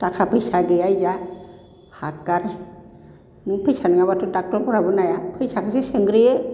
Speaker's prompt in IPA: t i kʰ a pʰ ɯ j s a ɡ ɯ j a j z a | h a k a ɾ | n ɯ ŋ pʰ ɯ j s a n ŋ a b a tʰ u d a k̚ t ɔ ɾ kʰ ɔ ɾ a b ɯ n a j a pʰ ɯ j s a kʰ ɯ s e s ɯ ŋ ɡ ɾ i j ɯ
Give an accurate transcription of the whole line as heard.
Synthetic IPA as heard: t a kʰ a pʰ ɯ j s a ɡ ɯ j a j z a | h a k a ɾ | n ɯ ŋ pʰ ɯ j s a n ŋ a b a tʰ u d a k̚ t ɔ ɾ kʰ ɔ ɾ a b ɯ n a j a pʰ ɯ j s a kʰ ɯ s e s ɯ ŋ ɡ ɾ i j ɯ